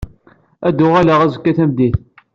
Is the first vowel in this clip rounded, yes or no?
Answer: no